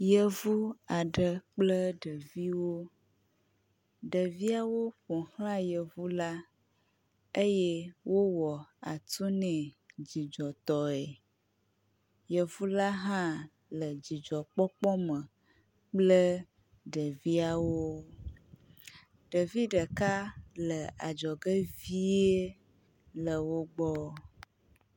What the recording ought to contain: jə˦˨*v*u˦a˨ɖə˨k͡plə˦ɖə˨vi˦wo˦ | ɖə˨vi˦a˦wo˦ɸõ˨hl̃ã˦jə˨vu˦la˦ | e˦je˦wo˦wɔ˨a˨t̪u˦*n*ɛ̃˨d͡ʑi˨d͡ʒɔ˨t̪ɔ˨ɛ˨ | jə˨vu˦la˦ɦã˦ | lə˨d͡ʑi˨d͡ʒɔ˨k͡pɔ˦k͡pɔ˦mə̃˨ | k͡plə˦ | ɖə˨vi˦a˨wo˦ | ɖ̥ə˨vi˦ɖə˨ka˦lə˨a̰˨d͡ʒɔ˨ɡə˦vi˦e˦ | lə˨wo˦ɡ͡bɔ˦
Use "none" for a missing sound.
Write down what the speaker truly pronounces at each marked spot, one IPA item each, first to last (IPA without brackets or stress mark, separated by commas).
v, n